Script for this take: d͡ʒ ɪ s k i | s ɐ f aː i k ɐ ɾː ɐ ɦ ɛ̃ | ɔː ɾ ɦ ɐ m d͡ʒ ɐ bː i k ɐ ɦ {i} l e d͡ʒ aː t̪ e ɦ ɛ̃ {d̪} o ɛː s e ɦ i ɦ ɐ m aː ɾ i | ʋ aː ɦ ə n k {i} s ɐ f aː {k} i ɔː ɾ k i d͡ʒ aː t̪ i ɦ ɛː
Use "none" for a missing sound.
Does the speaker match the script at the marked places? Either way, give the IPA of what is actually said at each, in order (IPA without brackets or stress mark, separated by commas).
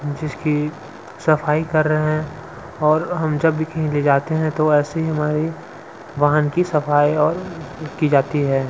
ĩ, t̪, i, none